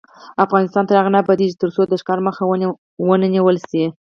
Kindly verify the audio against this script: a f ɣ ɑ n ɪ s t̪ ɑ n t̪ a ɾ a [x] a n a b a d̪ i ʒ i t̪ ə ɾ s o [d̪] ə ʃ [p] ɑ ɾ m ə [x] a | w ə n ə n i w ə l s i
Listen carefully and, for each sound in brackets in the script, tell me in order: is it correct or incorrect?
incorrect, correct, incorrect, correct

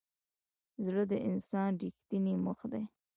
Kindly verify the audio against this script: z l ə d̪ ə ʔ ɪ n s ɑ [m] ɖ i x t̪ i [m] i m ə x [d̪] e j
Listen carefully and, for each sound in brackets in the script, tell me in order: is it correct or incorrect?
incorrect, incorrect, correct

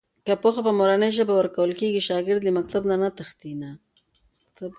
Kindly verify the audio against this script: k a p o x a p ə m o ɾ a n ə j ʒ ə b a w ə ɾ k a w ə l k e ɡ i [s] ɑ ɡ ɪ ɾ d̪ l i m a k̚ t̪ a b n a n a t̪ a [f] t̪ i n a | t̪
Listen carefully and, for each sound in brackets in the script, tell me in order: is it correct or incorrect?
incorrect, incorrect

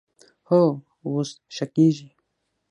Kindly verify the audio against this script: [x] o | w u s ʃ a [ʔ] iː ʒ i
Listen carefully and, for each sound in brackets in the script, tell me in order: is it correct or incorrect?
incorrect, incorrect

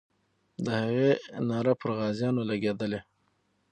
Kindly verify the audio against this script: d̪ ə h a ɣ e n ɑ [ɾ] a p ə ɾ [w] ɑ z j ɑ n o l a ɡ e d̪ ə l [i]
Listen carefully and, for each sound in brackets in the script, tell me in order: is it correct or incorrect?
correct, incorrect, incorrect

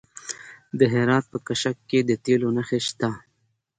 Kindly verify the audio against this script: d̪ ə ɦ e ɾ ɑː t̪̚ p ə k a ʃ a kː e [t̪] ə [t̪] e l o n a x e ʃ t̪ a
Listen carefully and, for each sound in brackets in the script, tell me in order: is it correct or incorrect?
incorrect, correct

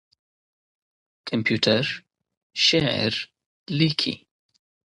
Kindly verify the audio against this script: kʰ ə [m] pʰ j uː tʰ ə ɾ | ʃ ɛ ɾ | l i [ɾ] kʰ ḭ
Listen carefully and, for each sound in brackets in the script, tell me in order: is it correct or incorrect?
correct, incorrect

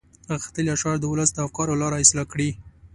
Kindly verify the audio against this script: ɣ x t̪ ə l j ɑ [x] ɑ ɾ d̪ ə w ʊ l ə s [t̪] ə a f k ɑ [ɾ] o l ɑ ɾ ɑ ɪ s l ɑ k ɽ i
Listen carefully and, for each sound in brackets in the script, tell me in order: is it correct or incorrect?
incorrect, incorrect, correct

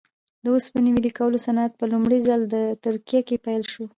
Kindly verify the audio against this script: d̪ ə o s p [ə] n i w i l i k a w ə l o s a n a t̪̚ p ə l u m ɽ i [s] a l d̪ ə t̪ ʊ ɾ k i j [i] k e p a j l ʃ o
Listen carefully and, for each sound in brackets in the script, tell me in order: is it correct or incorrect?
correct, incorrect, incorrect

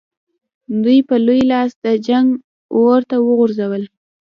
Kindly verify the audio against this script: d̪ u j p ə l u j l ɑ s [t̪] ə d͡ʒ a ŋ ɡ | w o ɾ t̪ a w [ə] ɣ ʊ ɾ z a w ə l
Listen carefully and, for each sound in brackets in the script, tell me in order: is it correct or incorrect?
incorrect, correct

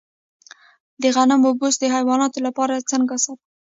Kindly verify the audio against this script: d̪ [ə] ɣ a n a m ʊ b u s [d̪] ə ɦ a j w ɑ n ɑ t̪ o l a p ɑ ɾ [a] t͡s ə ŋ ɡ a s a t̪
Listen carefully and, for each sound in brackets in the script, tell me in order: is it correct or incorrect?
correct, correct, correct

